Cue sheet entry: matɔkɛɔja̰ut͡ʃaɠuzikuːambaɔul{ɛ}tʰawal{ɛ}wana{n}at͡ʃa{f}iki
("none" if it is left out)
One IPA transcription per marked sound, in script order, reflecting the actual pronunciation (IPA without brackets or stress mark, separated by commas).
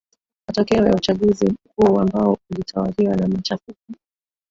i, i, m, f